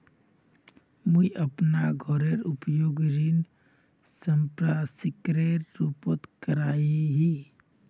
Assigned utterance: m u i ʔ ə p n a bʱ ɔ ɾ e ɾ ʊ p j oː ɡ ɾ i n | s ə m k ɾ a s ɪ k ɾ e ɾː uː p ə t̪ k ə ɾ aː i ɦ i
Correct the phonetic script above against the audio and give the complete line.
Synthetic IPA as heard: m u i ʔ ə p n a ɡʱ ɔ ɾ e ɾ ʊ p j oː ɡ ɾ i n | s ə m p ɾ a s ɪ k ɾ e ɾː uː p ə t̪ k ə ɾ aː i ɦ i